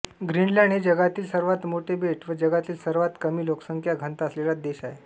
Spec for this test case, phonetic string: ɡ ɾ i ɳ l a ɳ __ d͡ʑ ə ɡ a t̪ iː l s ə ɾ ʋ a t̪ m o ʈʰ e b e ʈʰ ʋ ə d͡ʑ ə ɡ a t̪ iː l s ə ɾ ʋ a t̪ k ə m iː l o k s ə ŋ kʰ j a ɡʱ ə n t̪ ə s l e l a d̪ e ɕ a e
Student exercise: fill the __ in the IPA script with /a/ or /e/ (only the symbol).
e